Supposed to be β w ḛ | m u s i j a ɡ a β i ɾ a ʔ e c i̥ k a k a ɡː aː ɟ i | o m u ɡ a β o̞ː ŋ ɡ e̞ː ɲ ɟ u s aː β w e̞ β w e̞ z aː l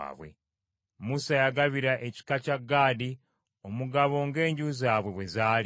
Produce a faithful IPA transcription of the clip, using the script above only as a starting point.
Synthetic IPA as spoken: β w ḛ | m u s a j a ɡ a β i ɾ a ʔ e c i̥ k a c a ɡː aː d i | o m u ɡ a β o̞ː ŋ ɡ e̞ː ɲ ɟ u z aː β w e̞ β w e̞ z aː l

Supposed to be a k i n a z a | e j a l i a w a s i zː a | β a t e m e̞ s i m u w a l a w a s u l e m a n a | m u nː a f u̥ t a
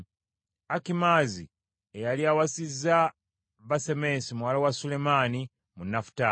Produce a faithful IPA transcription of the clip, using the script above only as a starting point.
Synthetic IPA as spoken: a k i m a z i | e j a l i a w a s i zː a | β a s e m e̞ s i m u w a l a w a s u l e m a n i | m u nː a f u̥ t a

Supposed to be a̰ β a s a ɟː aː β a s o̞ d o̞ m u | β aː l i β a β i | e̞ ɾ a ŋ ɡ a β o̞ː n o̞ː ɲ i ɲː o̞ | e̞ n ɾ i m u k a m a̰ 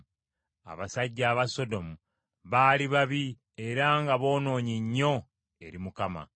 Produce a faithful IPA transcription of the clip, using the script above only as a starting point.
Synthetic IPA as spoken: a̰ β a s a ɟː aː β a s o̞ d o̞ m u | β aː l i β a β i | e̞ ɾ a ŋ ɡ a β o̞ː n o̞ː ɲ i ɲː o̞ | e̞ ɾ i m u k a m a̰

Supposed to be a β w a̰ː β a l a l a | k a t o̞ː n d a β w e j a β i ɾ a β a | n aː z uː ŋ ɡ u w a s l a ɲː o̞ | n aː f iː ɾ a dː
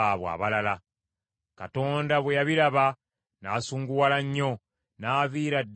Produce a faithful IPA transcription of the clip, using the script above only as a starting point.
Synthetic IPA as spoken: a β w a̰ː β a l a l a | k a t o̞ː n d a β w e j a β i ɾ a β a | n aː s uː ŋ ɡ u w a l a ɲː o̞ | n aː v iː ɾ a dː

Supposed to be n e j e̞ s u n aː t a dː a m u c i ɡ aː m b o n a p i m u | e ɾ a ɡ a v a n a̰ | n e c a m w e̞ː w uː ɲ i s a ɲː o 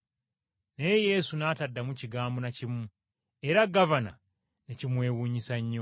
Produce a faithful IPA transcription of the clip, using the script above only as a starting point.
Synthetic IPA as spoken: n e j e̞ s u n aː t a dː a m u c i ɡ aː m b o n a c i m u | e ɾ a ɡ a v a n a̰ | n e c i m w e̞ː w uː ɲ i s a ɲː o

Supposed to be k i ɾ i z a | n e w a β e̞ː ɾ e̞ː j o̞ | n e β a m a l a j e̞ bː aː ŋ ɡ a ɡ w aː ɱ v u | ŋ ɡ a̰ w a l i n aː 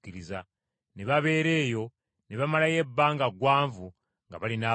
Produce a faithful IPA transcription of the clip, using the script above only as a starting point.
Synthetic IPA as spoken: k i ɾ i z a | n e β a β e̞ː ɾ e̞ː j o̞ | n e β a m a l a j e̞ bː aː ŋ ɡ a ɡ w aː ɱ v u | ŋ ɡ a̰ β a l i n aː

